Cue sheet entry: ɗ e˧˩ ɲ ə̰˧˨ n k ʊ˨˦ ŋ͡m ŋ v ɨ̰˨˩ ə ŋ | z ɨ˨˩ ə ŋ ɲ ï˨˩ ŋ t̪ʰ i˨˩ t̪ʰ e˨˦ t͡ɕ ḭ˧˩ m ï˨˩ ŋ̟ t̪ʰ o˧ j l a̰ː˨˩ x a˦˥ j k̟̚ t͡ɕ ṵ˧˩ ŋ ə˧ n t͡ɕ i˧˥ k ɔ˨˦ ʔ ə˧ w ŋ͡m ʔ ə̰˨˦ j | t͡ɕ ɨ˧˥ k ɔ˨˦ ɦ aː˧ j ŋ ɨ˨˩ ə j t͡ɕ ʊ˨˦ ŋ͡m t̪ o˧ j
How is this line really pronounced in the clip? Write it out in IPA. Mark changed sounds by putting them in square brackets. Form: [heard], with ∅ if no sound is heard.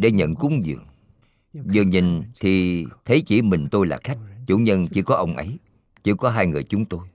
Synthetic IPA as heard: ɗ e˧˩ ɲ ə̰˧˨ n k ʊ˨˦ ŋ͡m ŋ [z] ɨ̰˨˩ ə ŋ | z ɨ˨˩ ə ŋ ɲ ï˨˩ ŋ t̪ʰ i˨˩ t̪ʰ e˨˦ t͡ɕ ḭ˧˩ m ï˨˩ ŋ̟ [t̪] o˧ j l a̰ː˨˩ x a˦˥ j k̟̚ t͡ɕ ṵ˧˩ [ɲ] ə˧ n t͡ɕ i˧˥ k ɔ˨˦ ʔ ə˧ w ŋ͡m ʔ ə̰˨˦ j | t͡ɕ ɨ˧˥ k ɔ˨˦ ɦ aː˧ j ŋ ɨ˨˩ ə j t͡ɕ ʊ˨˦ ŋ͡m t̪ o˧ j